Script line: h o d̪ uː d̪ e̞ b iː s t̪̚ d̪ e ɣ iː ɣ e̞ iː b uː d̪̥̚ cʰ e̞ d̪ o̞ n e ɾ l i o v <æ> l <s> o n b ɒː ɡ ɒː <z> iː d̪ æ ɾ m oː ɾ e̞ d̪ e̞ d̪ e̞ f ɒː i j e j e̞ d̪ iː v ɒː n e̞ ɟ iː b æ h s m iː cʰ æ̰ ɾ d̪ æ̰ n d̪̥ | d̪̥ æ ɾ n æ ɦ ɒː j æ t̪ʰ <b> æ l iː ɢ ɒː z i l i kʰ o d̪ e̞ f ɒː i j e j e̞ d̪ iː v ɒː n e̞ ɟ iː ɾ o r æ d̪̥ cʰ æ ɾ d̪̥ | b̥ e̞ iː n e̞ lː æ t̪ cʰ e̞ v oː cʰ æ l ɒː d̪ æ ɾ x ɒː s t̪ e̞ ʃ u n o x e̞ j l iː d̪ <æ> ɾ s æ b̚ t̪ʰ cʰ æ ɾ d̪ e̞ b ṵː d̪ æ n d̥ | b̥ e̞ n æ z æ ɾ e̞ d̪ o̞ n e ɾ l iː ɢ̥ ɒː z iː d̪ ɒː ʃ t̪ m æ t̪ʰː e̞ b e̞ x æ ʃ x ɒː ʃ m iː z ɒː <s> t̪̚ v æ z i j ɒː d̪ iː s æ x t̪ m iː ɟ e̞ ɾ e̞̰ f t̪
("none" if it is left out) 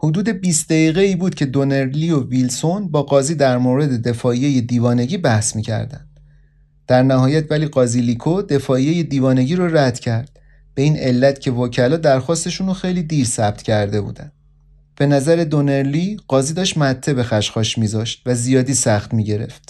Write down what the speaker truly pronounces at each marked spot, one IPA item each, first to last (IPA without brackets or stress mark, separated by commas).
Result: i, s, z, v, i, ʃ